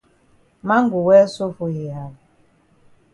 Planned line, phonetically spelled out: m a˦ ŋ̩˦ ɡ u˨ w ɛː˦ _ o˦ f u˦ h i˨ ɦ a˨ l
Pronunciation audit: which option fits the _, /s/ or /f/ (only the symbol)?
s